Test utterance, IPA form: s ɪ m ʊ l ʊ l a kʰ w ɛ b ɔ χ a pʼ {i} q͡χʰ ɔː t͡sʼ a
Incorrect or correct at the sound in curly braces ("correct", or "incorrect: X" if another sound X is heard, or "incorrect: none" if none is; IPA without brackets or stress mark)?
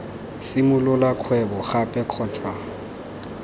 incorrect: ɛ